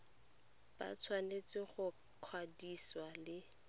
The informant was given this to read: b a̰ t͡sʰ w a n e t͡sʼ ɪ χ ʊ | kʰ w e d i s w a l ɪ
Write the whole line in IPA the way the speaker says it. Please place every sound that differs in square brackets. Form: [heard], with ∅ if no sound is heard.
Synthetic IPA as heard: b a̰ t͡sʰ w a n e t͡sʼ ɪ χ ʊ | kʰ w [a] d i s w a l ɪ